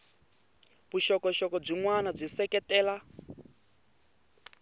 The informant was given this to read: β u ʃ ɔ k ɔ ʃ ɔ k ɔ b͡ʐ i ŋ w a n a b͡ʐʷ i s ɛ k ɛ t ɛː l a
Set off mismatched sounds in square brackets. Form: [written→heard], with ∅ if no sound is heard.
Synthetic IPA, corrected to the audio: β u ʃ ɔ k ɔ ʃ ɔ k ɔ b͡ʐ i ŋ w a n a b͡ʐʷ i s ɛ k ɛ t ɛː l a